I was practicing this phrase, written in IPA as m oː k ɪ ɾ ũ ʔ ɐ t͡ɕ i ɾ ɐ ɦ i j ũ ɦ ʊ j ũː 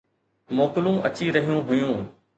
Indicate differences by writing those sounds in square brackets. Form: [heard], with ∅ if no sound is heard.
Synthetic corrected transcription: m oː k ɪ [l] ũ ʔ ɐ t͡ɕ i ɾ ɐ ɦ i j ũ ɦ ʊ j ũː